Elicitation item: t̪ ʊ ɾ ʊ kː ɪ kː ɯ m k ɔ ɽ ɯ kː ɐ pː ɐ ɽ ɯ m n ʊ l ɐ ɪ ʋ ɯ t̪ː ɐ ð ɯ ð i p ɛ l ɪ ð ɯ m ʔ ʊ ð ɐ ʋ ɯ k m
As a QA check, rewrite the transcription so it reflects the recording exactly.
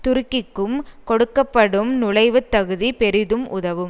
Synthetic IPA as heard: t̪ ʊ ɾ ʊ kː ɪ kː ɯ m k ɔ ɽ ɯ kː ɐ pː ɐ ɽ ɯ m n ʊ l ɐ ɪ ʋ ɯ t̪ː ɐ ɣ ɯ ð i p ɛ ɾ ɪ ð ɯ m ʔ ʊ ð ɐ ʋ ɯ m